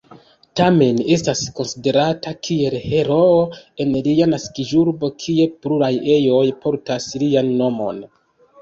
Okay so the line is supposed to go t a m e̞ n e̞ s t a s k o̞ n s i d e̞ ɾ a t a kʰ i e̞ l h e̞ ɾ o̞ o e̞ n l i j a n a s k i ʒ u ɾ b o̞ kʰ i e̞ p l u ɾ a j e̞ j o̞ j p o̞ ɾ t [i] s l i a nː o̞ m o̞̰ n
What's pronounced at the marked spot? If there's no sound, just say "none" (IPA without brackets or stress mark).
a